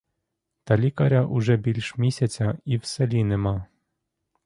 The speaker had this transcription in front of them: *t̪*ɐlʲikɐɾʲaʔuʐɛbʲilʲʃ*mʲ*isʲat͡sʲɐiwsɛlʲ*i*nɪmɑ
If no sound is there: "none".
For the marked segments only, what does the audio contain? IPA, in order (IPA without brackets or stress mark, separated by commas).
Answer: t̪, mʲ, i